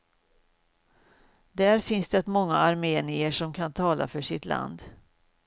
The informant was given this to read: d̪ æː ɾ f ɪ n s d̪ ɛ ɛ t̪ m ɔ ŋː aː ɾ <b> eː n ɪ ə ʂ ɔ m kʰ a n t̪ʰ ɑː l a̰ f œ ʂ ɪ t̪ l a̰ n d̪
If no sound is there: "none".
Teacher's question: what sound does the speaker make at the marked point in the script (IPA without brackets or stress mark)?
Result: m